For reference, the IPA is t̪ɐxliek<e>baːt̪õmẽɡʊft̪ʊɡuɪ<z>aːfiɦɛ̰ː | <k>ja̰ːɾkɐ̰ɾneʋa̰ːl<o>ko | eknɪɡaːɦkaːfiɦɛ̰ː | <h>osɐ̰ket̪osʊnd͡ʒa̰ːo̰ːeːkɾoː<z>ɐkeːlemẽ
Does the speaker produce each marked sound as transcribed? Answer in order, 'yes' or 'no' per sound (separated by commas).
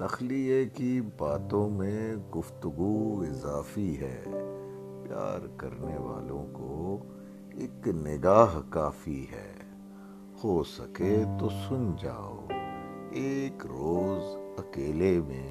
no, yes, no, no, yes, yes